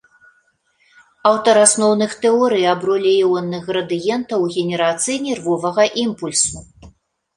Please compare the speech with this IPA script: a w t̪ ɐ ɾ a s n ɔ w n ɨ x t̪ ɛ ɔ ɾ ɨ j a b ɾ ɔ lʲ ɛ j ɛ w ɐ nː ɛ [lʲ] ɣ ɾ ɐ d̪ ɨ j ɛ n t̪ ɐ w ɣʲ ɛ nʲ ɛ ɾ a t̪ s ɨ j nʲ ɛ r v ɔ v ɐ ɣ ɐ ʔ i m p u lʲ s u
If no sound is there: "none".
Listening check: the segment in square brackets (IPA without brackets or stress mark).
none